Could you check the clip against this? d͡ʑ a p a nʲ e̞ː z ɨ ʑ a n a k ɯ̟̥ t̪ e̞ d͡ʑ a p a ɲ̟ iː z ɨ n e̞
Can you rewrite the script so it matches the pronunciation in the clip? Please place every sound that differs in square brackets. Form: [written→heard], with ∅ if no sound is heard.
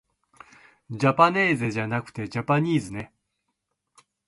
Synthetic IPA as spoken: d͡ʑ a p a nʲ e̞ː z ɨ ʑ a n a k ɯ̟̥ t̪ e̞ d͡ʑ a p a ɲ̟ iː z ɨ n e̞